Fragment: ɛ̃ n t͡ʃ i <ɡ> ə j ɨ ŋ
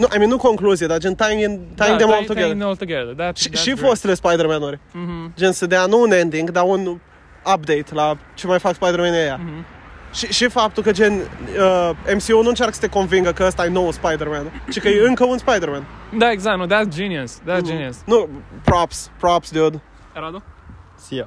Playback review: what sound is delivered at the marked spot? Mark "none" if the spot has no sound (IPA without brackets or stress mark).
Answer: k